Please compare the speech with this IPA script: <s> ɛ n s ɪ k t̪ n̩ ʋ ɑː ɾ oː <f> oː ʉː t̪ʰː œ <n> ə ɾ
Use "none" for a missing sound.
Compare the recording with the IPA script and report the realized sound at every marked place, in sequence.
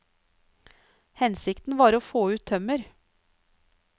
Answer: h, f, m

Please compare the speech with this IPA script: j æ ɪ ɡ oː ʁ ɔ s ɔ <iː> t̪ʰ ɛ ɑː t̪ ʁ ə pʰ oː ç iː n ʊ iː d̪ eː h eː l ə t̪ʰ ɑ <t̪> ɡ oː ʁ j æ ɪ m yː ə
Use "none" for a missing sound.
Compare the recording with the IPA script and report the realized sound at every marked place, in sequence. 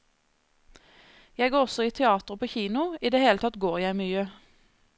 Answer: iː, t̪

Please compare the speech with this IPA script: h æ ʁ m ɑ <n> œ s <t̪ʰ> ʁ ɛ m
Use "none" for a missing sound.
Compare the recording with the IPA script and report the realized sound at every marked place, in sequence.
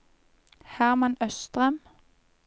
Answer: n, t̪

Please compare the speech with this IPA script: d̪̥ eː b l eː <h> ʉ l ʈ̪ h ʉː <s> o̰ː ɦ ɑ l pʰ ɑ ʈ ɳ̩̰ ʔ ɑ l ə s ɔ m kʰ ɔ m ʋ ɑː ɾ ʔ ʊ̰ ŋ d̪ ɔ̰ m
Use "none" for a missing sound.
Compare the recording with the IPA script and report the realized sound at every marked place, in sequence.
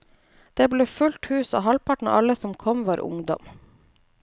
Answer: f, s

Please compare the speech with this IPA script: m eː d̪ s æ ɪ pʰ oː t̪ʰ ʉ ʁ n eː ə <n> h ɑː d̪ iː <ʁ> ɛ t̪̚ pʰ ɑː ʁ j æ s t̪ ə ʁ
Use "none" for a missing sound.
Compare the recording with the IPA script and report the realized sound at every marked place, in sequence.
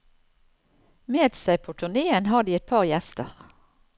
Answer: n, none

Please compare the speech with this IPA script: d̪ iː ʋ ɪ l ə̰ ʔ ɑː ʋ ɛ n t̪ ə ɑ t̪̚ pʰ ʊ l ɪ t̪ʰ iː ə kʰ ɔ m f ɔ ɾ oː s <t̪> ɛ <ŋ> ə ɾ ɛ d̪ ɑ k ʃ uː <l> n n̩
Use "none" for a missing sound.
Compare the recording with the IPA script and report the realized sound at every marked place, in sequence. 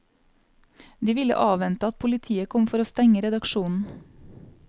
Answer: t̪, ŋ, none

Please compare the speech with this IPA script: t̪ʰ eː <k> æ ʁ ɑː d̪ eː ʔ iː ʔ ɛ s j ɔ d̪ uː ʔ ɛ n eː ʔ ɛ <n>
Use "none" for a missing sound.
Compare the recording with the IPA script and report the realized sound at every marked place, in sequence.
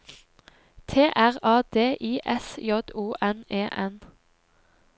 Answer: ʔ, n

